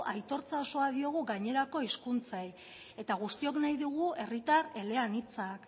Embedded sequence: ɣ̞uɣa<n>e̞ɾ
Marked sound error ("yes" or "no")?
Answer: yes